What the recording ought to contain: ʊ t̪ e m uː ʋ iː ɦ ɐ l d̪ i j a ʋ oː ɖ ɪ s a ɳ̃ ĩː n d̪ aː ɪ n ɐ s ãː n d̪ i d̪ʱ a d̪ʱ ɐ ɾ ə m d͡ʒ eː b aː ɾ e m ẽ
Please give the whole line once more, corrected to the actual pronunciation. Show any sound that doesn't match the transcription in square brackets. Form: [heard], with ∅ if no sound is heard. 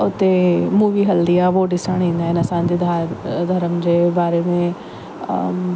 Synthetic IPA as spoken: ʊ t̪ e m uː ʋ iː ɦ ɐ l d̪ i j a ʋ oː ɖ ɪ s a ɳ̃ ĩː n d̪ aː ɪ n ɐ s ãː n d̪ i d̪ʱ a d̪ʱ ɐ ɾ ə m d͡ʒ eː b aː ɾ e m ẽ